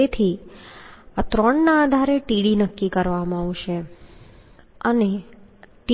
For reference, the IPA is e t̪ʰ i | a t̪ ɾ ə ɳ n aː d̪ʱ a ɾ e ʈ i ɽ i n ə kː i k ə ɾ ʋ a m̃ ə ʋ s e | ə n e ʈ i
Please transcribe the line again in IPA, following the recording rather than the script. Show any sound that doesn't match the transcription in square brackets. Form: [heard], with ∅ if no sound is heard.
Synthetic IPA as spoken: e t̪ʰ i | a t̪ ɾ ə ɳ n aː d̪ʱ a ɾ e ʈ i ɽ i n ə kː i k ə ɾ ʋ a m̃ [a] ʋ [ʃ] e | ə n e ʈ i